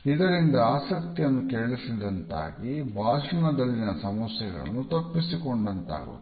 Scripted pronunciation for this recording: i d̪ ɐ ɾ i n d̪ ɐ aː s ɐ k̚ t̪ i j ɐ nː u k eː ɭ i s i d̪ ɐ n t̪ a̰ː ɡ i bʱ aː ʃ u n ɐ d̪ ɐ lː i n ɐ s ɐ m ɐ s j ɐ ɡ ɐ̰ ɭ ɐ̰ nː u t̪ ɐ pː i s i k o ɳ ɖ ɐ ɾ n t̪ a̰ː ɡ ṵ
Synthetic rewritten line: i d̪ ɐ ɾ i n d̪ ɐ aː s ɐ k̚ t̪ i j ɐ nː u k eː ɭ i s i d̪ ɐ n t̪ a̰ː ɡ i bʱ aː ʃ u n ɐ d̪ ɐ lː i n ɐ s ɐ m ɐ s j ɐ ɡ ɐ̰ ɭ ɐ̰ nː u t̪ ɐ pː i s i k o ɳ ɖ ɐ n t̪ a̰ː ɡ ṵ